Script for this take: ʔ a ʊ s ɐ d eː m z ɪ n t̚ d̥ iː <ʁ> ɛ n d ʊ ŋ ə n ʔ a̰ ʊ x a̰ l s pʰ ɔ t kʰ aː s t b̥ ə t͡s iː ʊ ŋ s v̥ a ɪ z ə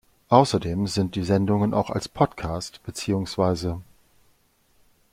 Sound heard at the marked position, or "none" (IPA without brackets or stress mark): z